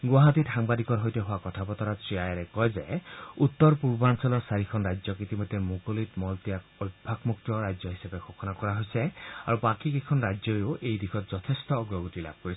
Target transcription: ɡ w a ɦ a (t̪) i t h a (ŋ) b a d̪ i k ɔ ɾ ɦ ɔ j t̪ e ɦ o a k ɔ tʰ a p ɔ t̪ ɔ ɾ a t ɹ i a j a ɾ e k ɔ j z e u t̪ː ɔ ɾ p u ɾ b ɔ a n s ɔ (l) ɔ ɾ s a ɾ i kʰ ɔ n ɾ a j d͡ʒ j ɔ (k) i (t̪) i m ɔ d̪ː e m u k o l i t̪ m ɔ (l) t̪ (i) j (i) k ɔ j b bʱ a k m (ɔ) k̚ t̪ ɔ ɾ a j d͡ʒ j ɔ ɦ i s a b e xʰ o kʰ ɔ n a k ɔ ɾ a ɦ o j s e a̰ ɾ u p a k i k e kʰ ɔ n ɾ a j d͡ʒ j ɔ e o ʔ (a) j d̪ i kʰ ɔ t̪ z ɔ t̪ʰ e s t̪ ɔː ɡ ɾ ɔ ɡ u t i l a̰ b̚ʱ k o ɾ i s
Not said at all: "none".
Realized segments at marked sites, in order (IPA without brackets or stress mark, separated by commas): t̪, ŋ, l, k, t̪, l, i, a, u, e